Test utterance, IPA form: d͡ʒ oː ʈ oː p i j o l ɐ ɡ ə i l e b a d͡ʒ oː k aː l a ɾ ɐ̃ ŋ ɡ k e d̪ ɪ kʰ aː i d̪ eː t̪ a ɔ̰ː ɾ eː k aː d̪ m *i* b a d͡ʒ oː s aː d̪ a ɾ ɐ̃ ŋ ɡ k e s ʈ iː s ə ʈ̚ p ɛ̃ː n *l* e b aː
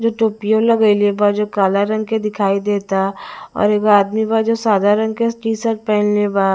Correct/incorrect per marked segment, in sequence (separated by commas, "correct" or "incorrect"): correct, correct